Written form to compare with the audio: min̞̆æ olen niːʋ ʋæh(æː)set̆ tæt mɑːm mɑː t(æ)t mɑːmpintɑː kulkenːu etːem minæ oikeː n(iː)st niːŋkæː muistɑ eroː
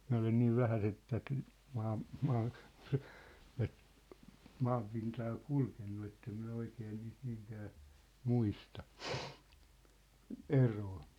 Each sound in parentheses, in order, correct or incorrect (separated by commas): incorrect, correct, correct